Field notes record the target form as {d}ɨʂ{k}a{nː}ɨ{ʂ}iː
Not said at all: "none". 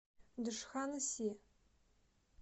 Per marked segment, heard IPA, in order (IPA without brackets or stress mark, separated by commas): d, x, n, s